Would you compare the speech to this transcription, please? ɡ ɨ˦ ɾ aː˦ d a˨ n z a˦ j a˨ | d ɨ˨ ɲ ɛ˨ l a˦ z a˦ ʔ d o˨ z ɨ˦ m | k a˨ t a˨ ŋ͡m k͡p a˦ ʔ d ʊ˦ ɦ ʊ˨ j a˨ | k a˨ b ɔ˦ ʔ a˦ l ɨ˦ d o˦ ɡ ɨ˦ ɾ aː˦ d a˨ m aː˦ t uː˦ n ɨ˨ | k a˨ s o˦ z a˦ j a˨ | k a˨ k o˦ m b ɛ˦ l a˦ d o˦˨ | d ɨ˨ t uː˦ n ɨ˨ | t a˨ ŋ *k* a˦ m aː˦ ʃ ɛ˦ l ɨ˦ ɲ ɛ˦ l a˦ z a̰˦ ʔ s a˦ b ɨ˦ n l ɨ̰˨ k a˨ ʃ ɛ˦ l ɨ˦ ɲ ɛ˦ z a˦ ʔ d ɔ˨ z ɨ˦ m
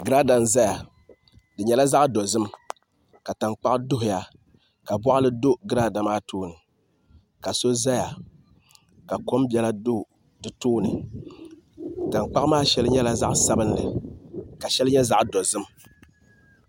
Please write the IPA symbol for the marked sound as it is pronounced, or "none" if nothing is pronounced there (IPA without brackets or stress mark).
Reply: k͡p